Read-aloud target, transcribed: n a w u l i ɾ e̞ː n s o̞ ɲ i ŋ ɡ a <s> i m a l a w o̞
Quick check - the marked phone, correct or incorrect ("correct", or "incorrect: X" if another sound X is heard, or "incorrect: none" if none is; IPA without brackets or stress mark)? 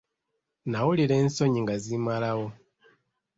incorrect: z